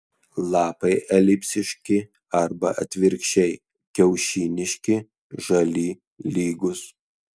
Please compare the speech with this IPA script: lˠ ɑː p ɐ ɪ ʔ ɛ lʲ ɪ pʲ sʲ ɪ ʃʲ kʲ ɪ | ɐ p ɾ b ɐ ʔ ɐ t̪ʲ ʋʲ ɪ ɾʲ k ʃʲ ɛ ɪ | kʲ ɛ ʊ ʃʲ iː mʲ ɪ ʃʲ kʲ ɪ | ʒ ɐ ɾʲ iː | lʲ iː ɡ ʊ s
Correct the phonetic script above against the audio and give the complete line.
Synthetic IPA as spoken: lˠ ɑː p ɐ ɪ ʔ ɛ lʲ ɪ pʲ sʲ ɪ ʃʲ kʲ ɪ | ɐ ɾ b ɐ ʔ ɐ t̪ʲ ʋʲ ɪ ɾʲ k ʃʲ ɛ ɪ | kʲ ɛ ʊ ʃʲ iː nʲ ɪ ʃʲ kʲ ɪ | ʒ ɐ lʲ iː | lʲ iː ɡ ʊ s